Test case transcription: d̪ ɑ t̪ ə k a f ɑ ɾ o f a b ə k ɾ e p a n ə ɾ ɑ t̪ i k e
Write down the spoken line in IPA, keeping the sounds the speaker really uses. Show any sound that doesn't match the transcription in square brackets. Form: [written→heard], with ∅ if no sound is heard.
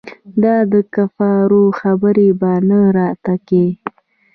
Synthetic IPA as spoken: d̪ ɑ [t̪→d̪] ə k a f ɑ ɾ o [f→x] a b ə [k→∅] ɾ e [p→b] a n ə ɾ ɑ t̪ [i→a] k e